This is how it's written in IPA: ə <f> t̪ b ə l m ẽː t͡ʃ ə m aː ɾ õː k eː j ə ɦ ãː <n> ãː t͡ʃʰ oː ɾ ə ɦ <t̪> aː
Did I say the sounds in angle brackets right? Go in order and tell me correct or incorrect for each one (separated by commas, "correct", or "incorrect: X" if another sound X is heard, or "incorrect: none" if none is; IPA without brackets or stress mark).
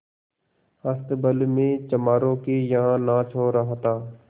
incorrect: s, correct, correct